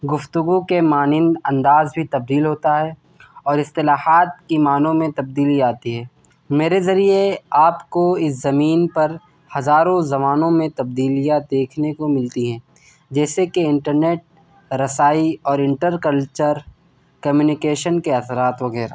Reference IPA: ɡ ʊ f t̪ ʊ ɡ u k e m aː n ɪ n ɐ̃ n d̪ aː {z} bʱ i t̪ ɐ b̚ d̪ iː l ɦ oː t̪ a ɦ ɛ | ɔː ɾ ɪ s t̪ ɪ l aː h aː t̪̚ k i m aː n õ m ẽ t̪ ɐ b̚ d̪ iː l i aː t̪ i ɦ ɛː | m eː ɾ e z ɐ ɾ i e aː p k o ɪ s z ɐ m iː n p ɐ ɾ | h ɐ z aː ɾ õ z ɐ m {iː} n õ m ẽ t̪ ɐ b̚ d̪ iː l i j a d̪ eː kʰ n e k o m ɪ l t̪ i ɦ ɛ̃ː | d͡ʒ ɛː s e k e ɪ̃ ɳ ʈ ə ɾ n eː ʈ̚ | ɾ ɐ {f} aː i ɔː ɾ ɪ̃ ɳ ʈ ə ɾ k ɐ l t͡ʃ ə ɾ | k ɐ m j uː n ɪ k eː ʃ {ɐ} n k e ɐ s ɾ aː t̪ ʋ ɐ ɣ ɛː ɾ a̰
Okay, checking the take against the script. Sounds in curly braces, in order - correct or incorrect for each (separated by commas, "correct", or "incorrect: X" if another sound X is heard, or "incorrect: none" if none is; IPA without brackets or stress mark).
correct, incorrect: aː, incorrect: s, incorrect: ə